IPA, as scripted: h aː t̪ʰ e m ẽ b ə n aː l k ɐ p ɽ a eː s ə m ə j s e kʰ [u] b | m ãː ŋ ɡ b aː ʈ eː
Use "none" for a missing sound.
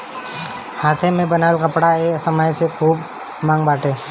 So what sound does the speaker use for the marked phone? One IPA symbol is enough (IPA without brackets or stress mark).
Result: uː